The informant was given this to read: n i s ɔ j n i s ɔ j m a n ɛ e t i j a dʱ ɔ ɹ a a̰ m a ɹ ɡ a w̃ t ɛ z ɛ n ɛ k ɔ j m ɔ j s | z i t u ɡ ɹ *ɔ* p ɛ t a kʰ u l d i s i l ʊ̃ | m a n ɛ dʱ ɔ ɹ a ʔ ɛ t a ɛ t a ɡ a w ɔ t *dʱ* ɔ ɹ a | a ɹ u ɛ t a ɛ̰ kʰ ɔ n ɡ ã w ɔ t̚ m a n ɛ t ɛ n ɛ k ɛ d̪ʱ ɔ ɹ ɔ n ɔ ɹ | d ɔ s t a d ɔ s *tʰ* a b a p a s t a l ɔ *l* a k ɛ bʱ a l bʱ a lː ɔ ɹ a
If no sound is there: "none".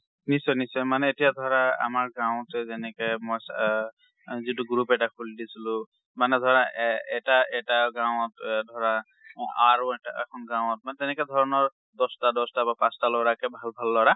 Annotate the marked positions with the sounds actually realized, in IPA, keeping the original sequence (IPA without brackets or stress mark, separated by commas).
u, dʱ, t, ɹ